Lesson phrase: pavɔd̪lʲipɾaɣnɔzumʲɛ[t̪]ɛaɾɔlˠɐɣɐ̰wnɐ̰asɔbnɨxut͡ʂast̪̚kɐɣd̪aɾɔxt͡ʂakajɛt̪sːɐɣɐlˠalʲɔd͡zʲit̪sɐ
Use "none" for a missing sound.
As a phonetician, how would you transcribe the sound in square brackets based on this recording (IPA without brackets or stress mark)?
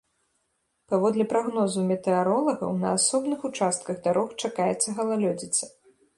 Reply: t̪